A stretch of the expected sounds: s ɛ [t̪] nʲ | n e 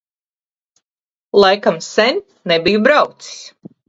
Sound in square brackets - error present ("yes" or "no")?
yes